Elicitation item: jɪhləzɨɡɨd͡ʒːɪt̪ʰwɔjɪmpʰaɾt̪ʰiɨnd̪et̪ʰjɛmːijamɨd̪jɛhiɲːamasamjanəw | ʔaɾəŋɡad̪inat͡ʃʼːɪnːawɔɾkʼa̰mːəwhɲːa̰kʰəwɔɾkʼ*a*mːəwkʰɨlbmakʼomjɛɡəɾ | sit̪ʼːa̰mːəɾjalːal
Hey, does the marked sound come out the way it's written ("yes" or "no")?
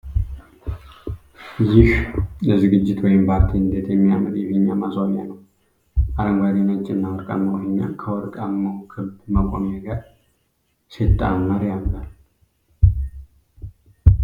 yes